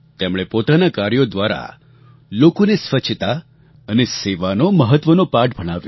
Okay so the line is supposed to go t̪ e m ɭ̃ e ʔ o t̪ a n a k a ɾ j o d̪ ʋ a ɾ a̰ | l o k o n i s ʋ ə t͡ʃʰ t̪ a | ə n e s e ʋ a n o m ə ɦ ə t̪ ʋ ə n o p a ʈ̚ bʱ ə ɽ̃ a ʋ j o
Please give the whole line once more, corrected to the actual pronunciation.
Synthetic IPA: t̪ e m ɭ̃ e p o t̪ a n a k a ɾ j o d̪ ʋ a ɾ a̰ | l o k o n e s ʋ ə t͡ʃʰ t̪ a | ə n e s e ʋ a n o m ə ɦ ə t̪ ʋ ə n o p a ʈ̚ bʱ ə ɽ̃ a ʋ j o

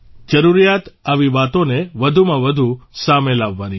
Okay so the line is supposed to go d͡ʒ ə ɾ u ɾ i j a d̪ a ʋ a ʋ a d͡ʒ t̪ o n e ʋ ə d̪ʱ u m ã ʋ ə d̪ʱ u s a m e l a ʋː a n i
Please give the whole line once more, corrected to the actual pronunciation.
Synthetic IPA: d͡ʒ ə ɾ u ɾ i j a t̪ a ʋ i ʋ a t̪ o n e ʋ ə d̪ʱ u m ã ʋ ə d̪ʱ u s a m e l a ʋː a n i

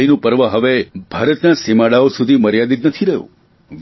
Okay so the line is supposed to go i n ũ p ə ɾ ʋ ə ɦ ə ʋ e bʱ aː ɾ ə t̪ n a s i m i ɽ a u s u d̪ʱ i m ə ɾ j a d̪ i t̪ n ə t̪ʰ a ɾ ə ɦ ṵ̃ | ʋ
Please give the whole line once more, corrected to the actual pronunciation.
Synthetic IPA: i n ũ p ə ɾ ʋ ə ɦ ə ʋ e bʱ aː ɾ ə t̪ n a s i m a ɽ a o s u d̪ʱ i m ə ɾ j a d̪ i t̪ n ə t̪ʰ i ɾ ə ɦ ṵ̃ | ʋ

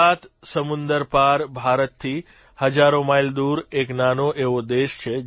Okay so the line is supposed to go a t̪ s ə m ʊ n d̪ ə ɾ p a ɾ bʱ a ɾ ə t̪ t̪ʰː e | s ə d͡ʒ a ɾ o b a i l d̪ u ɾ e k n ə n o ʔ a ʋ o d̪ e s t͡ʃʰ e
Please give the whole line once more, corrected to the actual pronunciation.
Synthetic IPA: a t̪ s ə m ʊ n d̪ ə ɾ p a ɾ bʱ a ɾ ə t̪ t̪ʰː i | h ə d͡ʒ a ɾ o m a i l d̪ u ɾ e k n a n o ʔ e ʋ o d̪ e ʃ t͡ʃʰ e

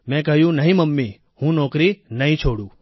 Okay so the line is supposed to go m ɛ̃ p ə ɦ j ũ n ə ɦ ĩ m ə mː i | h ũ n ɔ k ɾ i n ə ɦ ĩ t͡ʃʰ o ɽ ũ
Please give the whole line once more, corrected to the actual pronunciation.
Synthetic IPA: m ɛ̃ k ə ɦ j ũ n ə ɦ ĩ m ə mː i | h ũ n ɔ k ɾ i n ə ɦ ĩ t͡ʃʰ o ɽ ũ

